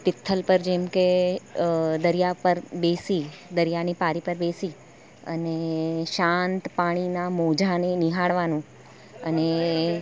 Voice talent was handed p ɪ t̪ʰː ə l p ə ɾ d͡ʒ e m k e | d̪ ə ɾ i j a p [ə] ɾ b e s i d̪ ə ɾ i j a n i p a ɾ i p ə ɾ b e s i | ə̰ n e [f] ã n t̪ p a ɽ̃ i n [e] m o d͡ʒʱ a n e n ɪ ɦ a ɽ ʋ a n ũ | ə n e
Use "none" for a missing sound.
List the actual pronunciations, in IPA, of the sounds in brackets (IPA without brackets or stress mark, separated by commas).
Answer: ə, ʃ, a